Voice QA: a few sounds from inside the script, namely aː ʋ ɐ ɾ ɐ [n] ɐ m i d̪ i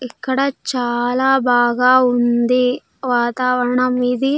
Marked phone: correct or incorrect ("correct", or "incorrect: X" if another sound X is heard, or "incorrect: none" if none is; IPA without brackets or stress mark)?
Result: incorrect: ɳ